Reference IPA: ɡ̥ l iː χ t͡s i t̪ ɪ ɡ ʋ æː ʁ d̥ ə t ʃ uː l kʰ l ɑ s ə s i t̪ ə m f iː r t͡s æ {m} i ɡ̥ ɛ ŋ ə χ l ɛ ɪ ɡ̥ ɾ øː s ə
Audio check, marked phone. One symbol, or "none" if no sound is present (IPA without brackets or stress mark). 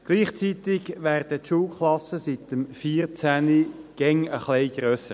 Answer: n